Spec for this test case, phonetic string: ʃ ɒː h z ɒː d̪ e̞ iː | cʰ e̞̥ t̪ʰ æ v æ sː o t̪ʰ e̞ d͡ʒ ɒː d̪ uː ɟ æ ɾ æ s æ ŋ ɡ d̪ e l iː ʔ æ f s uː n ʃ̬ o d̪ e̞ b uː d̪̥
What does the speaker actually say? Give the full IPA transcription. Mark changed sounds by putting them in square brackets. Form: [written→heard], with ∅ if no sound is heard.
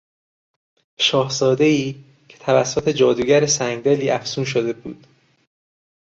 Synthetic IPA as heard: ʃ ɒː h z ɒː d̪ e̞ iː | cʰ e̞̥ t̪ʰ æ v æ sː o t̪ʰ e̞ d͡ʒ ɒː d̪ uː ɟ æ ɾ [æ→e] s æ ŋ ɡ d̪ e l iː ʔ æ f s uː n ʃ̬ o d̪ e̞ b uː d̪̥